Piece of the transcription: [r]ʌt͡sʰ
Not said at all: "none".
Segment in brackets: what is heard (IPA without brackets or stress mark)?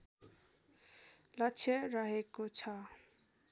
l